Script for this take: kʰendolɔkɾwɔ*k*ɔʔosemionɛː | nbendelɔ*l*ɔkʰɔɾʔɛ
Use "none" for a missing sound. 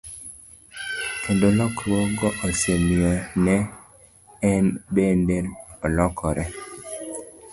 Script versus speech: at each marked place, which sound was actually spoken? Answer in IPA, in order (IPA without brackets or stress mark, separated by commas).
ɡ, l